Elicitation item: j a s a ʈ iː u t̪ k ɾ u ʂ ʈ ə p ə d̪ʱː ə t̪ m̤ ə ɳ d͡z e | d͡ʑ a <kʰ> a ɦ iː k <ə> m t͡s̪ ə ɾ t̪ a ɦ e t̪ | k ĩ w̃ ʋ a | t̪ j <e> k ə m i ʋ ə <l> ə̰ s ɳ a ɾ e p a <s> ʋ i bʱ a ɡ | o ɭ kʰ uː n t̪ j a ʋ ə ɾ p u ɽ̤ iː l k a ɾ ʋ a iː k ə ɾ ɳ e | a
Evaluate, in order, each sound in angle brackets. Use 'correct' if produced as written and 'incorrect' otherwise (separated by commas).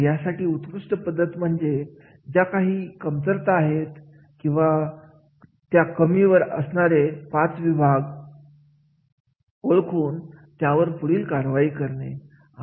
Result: incorrect, correct, incorrect, incorrect, incorrect